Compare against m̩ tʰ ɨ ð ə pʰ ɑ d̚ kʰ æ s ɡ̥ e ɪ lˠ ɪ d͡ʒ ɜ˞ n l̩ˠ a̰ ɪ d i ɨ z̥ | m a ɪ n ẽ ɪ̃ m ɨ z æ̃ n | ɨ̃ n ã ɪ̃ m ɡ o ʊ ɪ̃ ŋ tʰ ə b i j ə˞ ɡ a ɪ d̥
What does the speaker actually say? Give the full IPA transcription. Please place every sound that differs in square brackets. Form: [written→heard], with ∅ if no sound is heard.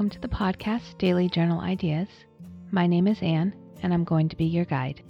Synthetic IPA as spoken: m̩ tʰ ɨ ð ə pʰ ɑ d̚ kʰ æ s [ɡ̥→d̥] e ɪ lˠ [ɪ→i] d͡ʒ ɜ˞ n l̩ˠ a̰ ɪ d i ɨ z̥ | m a ɪ n ẽ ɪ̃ m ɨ z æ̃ n | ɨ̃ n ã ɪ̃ m ɡ o ʊ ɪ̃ ŋ tʰ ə b i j ə˞ ɡ a ɪ d̥